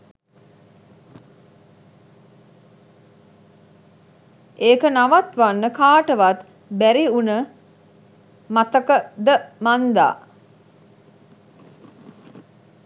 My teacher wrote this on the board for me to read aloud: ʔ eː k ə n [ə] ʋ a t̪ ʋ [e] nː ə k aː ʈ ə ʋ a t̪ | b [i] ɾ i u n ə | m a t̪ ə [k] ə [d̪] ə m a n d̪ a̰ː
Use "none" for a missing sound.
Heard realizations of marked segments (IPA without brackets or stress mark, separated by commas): a, a, æ, k, d̪